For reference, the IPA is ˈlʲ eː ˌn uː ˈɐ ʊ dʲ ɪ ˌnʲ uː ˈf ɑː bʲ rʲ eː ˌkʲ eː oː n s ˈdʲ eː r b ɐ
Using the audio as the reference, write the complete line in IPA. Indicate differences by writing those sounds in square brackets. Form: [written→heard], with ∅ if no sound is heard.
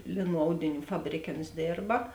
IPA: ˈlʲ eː ˌn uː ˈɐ ʊ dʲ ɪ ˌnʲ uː ˈf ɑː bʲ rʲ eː ˌkʲ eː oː n s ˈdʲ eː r b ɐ